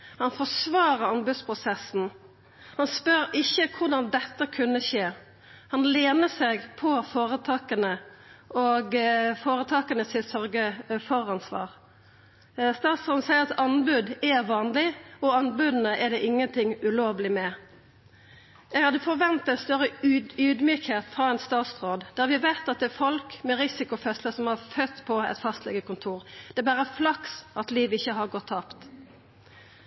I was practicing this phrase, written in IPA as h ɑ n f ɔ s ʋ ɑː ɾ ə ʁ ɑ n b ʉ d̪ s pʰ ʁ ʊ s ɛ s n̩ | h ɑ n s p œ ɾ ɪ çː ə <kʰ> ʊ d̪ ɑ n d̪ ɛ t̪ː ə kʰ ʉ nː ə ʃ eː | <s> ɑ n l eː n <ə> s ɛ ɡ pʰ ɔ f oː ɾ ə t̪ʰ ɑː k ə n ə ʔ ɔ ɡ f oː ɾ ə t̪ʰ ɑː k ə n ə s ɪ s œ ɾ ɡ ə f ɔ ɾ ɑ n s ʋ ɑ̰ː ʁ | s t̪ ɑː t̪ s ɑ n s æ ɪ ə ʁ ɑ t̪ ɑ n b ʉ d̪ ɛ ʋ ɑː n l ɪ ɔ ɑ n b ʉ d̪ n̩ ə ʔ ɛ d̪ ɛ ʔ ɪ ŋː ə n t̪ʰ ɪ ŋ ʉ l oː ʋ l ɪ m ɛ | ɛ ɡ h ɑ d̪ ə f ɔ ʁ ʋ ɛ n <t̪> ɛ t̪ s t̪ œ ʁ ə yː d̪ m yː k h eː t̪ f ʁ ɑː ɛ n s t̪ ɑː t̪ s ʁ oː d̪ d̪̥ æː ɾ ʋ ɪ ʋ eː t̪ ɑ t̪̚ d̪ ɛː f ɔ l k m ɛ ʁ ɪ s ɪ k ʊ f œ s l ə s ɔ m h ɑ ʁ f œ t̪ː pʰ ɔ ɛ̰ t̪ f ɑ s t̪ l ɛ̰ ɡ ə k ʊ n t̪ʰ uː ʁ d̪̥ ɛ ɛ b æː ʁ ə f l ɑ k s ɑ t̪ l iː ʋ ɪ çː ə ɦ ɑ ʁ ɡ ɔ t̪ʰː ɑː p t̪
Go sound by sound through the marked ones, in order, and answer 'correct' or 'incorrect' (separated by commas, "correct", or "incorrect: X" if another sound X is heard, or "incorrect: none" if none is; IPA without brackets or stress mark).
correct, incorrect: h, correct, correct